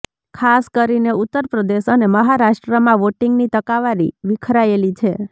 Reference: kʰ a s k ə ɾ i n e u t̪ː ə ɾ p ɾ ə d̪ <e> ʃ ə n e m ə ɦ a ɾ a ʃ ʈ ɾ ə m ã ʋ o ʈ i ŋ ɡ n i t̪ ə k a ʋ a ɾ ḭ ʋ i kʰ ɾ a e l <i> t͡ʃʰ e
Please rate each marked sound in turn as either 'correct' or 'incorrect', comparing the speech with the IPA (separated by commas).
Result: correct, correct